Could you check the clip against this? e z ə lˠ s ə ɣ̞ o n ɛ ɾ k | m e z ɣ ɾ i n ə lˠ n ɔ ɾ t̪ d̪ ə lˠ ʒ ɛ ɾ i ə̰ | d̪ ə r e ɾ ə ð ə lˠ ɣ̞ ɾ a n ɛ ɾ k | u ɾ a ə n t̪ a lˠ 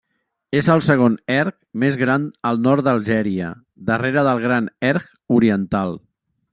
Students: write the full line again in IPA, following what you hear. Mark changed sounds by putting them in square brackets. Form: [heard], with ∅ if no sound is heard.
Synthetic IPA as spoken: e z ə lˠ s ə ɣ̞ o n ɛ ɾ k | m e z ɣ ɾ [a] n ə lˠ n ɔ ɾ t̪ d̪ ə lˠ ʒ ɛ ɾ i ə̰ | d̪ ə r e ɾ ə ð ə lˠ ɣ̞ ɾ a n ɛ ɾ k | u ɾ [i] ə n t̪ a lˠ